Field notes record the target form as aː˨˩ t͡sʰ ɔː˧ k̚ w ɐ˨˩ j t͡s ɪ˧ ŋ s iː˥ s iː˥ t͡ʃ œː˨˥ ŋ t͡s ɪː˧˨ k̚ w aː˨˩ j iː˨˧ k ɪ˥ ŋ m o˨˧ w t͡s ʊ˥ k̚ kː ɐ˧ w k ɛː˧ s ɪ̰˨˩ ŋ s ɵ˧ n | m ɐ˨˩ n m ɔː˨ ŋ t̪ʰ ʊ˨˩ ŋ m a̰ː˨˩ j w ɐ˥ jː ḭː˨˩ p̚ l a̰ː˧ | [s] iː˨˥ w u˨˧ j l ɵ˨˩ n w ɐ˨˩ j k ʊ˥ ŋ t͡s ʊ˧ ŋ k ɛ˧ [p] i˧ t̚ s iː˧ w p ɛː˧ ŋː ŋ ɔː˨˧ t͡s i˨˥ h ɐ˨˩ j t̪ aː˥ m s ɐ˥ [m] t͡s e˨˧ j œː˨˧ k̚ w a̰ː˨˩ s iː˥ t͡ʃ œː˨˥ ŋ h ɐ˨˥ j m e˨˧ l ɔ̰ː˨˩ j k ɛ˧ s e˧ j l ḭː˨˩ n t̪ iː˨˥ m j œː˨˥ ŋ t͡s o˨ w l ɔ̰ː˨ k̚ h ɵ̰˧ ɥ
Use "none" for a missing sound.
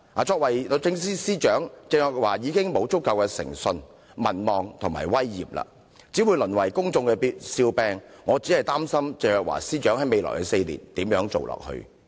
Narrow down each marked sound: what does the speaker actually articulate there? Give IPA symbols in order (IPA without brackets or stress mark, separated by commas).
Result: t͡s, p, m